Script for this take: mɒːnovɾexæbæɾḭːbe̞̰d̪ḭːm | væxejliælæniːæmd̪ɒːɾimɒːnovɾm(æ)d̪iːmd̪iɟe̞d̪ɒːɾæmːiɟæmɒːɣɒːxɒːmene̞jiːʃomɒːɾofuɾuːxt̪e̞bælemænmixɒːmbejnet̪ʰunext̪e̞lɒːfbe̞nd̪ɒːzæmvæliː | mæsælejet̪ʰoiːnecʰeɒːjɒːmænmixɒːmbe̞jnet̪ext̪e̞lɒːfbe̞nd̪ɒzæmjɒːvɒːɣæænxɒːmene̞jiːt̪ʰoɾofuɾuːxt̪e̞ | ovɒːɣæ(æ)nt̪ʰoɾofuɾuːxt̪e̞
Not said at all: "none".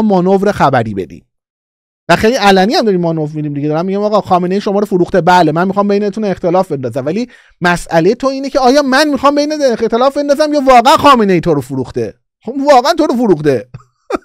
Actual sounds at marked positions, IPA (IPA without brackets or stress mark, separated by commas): i, æ